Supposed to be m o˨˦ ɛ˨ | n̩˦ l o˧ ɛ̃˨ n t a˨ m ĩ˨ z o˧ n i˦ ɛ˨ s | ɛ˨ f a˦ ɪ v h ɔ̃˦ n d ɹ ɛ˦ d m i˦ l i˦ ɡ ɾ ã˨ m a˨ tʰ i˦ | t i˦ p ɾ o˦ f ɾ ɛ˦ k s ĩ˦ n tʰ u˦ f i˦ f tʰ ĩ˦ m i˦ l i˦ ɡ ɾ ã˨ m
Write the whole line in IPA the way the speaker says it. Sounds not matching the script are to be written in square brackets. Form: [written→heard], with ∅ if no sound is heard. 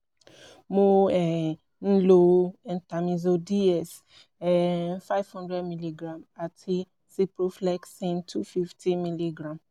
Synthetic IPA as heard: m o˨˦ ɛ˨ | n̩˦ l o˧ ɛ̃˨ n t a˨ m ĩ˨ z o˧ [n→d] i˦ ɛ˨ s | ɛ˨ f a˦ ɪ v h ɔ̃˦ n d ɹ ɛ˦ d m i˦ l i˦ ɡ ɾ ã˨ m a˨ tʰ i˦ | [t→s] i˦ p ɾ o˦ f [ɾ→l] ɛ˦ k s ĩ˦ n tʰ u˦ f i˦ f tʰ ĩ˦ m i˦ l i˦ ɡ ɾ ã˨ m